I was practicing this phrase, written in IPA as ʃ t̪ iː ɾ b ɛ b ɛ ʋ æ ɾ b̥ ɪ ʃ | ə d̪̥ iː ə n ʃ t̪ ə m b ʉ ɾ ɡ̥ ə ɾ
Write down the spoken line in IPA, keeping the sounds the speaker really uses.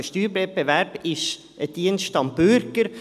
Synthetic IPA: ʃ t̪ yː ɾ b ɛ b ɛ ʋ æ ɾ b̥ ɪ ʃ | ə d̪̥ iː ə n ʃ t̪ ɑ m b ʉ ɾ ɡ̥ ə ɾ